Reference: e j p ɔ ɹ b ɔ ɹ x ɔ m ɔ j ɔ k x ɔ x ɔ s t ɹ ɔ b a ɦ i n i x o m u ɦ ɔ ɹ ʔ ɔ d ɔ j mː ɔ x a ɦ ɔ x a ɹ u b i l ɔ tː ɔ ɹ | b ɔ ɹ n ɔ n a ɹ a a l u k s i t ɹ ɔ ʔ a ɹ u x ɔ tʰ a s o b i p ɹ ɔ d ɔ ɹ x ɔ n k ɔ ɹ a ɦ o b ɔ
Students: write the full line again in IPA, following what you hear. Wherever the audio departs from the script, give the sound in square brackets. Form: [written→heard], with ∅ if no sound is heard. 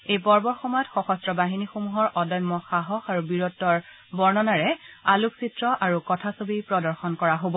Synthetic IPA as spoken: e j p ɔ ɹ b ɔ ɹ x ɔ m ɔ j ɔ [k→t] x ɔ x ɔ s t ɹ ɔ b a ɦ i n i x o m u ɦ ɔ ɹ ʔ ɔ d ɔ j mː ɔ x a ɦ ɔ x a ɹ u b i [l→ɹ] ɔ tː ɔ ɹ | b ɔ ɹ n ɔ n a ɹ [a→ɛ] a l u k s i t ɹ ɔ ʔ a ɹ u [x→k] ɔ tʰ a s o b i p ɹ ɔ d ɔ ɹ x ɔ n k ɔ ɹ a ɦ o b ɔ